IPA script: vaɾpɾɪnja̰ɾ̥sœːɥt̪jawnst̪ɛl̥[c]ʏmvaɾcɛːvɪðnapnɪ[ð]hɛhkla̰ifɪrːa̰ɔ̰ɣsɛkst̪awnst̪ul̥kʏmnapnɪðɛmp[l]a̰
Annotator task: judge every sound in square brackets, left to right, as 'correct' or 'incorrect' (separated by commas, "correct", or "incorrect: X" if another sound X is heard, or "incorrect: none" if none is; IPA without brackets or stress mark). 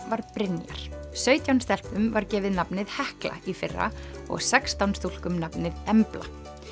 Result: incorrect: p, correct, correct